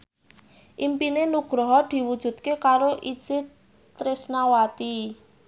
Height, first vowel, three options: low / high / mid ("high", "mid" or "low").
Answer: high